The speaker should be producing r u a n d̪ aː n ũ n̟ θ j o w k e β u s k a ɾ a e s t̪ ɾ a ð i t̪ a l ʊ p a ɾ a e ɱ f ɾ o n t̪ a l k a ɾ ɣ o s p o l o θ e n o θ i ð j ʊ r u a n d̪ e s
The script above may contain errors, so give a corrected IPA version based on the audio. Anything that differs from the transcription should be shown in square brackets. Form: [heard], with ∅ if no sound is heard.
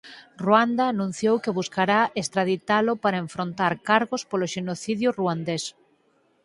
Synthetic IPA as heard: r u a n d̪ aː n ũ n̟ θ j o w k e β u s k a ɾ a e s t̪ ɾ a ð i t̪ a l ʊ p a ɾ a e ɱ f ɾ o n t̪ a [ɾ] k a ɾ ɣ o s p o l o [ʃ] e n o θ i ð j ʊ r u a n d̪ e s

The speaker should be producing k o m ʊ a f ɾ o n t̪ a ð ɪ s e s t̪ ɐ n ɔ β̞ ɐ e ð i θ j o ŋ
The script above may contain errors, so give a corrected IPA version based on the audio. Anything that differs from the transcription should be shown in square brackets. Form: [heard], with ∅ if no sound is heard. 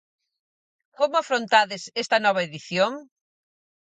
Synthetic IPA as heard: k o m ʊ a f ɾ o n t̪ a ð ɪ s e s t̪ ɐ n ɔ β̞ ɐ e ð i θ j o ŋ

